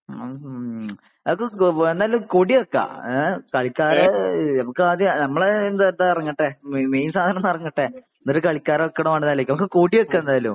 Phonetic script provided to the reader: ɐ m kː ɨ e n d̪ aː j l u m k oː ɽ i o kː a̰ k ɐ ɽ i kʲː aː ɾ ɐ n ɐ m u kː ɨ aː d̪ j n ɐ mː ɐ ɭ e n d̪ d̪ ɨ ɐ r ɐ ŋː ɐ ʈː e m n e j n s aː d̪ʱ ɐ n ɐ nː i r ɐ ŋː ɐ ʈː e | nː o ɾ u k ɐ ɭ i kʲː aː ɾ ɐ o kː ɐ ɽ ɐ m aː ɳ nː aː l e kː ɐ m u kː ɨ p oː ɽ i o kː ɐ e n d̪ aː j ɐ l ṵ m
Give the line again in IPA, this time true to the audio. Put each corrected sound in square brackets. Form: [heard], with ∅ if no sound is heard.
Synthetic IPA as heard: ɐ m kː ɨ e n d̪ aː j l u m k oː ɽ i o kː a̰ k ɐ [ɭ] i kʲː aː ɾ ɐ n ɐ m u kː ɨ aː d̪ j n ɐ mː ɐ ɭ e n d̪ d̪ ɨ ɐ r ɐ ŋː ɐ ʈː e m [m] e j n s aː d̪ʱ ɐ n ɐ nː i r ɐ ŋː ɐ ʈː e | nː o ɾ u k ɐ ɭ i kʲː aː ɾ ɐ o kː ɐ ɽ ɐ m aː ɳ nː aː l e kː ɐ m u kː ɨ [k] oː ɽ i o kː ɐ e n d̪ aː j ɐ l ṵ m

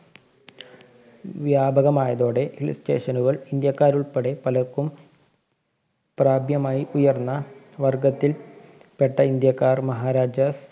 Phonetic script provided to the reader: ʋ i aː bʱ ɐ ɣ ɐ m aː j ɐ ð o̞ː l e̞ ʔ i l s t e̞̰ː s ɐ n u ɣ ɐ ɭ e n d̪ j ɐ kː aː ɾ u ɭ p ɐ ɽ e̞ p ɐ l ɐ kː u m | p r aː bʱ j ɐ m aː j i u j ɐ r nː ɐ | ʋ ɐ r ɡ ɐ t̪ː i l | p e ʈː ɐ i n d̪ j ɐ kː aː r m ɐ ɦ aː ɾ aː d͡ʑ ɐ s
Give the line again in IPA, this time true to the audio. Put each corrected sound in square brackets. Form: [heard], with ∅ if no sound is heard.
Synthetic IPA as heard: ʋ [j] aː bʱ ɐ ɣ ɐ m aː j ɐ ð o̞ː [ɽ] e̞ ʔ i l s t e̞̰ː [ʂ] ɐ n u ɣ ɐ ɭ [i] n d̪ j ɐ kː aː ɾ u ɭ p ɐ ɽ e̞ p ɐ l ɐ kː u m | p r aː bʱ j ɐ m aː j i u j ɐ r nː ɐ | ʋ ɐ r ɡ ɐ t̪ː i l | p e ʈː ɐ i n d̪ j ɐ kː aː r m ɐ ɦ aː ɾ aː d͡ʑ ɐ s

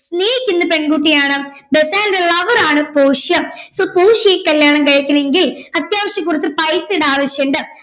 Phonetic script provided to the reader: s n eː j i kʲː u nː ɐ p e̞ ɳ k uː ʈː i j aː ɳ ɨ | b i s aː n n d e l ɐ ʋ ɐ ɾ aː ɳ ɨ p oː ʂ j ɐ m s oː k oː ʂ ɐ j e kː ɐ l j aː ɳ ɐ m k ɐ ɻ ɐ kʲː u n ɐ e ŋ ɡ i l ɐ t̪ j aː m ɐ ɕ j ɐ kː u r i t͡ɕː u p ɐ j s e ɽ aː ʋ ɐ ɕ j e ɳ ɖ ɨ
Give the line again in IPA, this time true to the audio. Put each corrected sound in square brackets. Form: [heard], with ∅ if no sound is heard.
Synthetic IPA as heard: s n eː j i kʲː u nː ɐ p e̞ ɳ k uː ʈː i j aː ɳ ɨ | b [e] s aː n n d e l ɐ ʋ ɐ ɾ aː ɳ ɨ p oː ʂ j ɐ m s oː [p] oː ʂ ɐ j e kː ɐ l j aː ɳ ɐ m k ɐ ɻ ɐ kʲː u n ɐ e ŋ ɡ i l ɐ t̪ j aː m ɐ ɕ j ɐ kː u r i t͡ɕː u p ɐ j s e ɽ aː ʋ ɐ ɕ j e ɳ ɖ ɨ

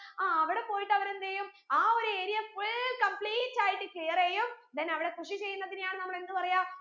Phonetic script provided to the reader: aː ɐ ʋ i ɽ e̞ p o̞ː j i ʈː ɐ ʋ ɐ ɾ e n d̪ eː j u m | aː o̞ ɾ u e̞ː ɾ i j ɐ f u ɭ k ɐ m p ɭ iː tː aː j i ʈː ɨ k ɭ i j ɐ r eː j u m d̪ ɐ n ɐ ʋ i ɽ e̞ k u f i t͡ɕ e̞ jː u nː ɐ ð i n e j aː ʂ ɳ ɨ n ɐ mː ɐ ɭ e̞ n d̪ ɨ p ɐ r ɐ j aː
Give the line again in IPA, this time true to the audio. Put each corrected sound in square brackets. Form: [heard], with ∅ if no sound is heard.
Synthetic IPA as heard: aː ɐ ʋ i ɽ e̞ p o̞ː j i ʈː ɐ ʋ ɐ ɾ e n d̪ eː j u m | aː o̞ ɾ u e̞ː ɾ i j ɐ f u ɭ k ɐ m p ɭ iː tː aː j i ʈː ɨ k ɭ i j ɐ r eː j u m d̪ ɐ n ɐ ʋ i ɽ e̞ k u [ʂ] i t͡ɕ e̞ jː u nː ɐ ð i n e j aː [∅] ɳ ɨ n ɐ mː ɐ ɭ e̞ n d̪ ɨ p ɐ r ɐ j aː

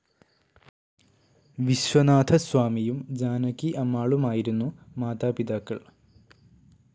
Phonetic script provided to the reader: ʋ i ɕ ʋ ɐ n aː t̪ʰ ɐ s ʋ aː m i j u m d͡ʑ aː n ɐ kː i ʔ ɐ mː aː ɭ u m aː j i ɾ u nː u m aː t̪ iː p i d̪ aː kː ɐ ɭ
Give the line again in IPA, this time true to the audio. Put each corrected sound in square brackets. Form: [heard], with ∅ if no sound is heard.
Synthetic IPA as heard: ʋ i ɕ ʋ ɐ n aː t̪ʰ ɐ s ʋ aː m i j u m d͡ʑ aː n ɐ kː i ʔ ɐ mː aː ɭ u m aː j i ɾ u nː u m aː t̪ [aː] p i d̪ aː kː ɐ ɭ

